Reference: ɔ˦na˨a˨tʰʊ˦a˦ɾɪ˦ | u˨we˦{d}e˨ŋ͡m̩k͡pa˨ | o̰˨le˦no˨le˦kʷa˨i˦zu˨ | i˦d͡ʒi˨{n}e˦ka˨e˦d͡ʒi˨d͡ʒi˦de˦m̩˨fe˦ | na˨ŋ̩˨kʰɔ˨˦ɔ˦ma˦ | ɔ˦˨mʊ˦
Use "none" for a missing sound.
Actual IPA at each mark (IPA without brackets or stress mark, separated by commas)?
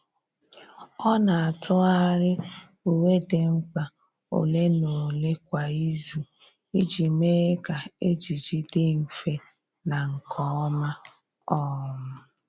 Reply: d, m